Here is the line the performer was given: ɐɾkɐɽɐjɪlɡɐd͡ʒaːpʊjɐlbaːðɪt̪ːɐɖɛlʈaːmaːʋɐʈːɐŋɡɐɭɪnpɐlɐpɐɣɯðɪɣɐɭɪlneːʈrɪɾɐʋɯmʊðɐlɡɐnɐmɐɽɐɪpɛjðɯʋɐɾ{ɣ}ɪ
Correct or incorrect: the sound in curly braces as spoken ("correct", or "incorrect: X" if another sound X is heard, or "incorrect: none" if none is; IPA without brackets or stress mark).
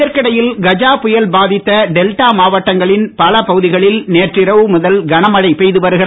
correct